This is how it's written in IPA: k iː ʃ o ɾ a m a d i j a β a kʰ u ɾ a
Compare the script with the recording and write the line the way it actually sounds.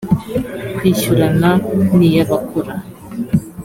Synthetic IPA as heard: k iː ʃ u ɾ a n a n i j a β a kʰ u ɾ a